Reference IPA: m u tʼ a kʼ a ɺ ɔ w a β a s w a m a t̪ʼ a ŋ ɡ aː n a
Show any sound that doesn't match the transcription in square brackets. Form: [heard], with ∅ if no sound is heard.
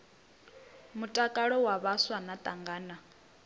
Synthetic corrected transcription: m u tʼ a kʼ a ɺ ɔ w a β a s w a [n] a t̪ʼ a ŋ ɡ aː n a